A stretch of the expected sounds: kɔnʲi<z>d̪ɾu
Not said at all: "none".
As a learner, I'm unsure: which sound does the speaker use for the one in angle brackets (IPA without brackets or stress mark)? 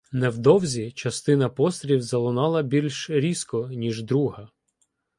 ʒ